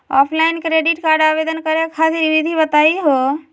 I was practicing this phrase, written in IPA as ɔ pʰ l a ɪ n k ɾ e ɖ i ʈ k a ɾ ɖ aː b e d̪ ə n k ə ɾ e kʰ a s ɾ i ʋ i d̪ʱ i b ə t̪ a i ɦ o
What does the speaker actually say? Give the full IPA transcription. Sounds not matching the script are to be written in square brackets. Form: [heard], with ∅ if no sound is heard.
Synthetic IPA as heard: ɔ pʰ l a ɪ n k ɾ e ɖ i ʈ k a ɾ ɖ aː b e d̪ ə n k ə ɾ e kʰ a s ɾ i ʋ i d̪ʱ i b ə t̪ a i ɦ o